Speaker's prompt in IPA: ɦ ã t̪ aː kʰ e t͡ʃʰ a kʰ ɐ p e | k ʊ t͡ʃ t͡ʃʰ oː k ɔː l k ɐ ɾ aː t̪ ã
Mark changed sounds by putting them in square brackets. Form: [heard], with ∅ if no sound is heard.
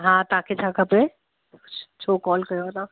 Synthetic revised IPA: ɦ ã t̪ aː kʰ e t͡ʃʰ a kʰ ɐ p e | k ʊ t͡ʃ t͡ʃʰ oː k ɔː l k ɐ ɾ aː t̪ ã